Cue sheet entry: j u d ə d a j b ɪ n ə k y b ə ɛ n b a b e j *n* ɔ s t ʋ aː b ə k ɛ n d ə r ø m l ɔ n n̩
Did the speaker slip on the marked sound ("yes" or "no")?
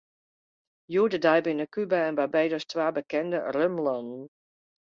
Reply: yes